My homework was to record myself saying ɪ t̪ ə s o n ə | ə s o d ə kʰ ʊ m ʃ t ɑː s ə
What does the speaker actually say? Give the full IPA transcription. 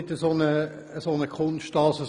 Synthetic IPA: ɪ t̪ ə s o n ə | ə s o n ə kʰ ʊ n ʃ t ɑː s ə

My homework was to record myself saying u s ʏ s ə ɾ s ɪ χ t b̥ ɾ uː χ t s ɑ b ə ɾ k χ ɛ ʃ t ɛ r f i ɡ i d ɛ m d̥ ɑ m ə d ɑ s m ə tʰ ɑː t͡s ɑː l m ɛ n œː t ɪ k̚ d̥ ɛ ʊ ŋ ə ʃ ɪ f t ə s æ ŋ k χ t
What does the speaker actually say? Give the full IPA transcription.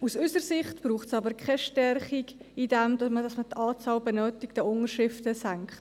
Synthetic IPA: u s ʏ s ə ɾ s ɪ χ t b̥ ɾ uː χ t s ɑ b ə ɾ k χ ɛ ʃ t ɛ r χ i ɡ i d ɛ m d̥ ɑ m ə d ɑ s m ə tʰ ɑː t͡s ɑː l b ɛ n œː t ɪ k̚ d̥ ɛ ʊ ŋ ə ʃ ɪ f t ə s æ ŋ k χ t

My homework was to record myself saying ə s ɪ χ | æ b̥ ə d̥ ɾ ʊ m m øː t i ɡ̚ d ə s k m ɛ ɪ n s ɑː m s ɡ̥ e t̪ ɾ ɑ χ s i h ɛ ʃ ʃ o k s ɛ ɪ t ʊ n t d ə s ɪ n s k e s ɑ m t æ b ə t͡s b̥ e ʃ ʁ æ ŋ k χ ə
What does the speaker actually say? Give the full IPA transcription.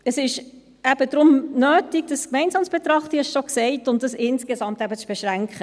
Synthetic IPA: ə s ɪ ʃ | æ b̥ ə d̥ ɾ ʊ m n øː t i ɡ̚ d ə s k m ɛ ɪ n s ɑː m s b̥ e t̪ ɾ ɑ χ t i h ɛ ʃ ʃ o k s ɛ ɪ t ʊ n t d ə s ɪ n s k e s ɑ m t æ b ə t͡s b̥ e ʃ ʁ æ ŋ k χ ə

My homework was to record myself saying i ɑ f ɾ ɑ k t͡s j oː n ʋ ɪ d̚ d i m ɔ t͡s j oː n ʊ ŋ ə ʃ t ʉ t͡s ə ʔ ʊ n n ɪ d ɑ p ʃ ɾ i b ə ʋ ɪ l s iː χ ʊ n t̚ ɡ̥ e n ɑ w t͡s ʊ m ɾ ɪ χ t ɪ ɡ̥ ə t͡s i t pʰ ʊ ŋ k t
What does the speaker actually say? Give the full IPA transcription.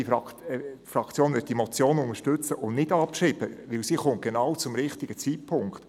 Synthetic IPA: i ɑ f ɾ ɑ k t͡s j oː n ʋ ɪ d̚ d i m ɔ t͡s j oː n ʊ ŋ ə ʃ t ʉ t͡s ə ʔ ʊ n n ɪ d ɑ p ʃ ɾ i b ə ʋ ɪ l s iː χ ʊ n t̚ ɡ̥ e n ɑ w t͡s ʊ m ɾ ɪ χ t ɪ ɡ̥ ə t͡s i t pʰ ʊ ŋ k t

